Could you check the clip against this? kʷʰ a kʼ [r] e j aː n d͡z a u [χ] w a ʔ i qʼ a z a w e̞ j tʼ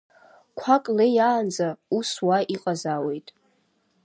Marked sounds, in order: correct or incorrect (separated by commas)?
incorrect, incorrect